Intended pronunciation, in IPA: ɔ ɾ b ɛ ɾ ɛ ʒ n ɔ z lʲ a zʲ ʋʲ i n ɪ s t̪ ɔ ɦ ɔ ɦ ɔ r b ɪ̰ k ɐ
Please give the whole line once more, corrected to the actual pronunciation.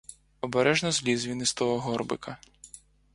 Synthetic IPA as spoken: ɔ b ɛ ɾ ɛ ʒ n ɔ z lʲ i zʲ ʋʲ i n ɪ s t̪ ɔ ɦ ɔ ɦ ɔ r b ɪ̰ k ɐ